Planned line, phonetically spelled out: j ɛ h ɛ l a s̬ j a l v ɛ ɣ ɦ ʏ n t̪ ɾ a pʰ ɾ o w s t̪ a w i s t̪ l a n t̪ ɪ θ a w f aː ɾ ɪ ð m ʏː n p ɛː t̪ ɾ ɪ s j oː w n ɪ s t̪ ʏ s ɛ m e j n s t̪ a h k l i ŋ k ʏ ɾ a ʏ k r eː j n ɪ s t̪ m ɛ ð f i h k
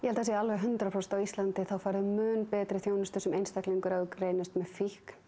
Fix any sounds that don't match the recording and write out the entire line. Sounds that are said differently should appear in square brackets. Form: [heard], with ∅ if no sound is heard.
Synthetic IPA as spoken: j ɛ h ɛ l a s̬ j a l v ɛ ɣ ɦ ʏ n t̪ ɾ a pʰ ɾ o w s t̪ a w i s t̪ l a n t̪ ɪ θ a w f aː ɾ ɪ ð m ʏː n p ɛː t̪ ɾ ɪ [θ] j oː w n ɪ s t̪ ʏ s ɛ m e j n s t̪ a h k l i ŋ k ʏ ɾ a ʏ k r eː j n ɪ s t̪ m ɛ ð f i h k